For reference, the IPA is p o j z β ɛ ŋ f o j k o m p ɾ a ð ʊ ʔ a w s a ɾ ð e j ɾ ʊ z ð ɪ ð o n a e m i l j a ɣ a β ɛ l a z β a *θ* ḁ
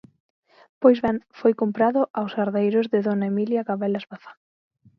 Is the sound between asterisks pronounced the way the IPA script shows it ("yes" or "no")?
yes